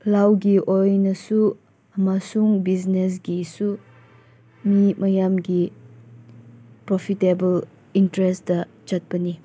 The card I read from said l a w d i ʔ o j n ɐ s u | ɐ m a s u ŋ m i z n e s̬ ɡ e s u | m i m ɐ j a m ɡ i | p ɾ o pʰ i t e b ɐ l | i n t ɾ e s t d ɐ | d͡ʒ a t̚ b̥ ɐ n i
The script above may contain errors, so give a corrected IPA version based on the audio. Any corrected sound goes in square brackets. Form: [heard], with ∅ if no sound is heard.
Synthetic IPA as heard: l a w [ɡ] i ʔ o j n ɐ s u | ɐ m a s u ŋ [b] i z n e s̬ ɡ [i] s u | m i m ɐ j a m ɡ i | p ɾ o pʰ i t e b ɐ l | i n t ɾ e s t d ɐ | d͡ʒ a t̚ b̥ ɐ n i